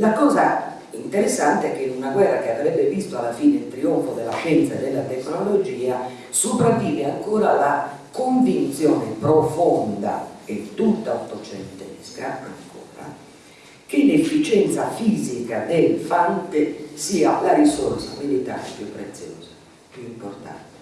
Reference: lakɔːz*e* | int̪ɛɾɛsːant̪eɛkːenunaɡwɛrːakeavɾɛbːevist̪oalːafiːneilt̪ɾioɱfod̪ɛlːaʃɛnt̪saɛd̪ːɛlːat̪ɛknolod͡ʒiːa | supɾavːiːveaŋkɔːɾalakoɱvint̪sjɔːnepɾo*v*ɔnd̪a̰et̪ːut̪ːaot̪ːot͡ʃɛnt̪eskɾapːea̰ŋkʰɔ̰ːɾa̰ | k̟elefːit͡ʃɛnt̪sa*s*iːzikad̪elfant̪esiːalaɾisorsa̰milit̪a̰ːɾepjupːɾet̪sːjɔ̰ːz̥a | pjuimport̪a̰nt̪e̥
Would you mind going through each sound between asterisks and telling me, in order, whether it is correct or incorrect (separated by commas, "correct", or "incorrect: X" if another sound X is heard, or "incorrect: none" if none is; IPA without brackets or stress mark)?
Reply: incorrect: a, incorrect: f, incorrect: f